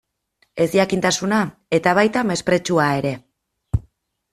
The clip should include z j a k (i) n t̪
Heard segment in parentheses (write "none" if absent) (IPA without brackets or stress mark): i